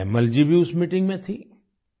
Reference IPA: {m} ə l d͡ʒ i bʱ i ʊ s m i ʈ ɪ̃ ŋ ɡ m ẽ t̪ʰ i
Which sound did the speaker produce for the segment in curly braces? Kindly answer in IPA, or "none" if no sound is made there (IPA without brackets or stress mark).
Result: m